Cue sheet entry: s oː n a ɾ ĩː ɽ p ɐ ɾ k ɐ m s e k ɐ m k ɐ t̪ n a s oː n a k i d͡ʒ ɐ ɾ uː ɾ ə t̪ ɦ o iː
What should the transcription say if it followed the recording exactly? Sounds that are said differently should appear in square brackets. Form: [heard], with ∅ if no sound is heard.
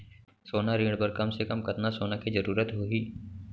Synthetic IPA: s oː n a ɾ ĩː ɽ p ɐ ɾ k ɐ m s e k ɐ m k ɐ t̪ n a s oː n a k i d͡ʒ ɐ ɾ uː ɾ ə t̪ ɦ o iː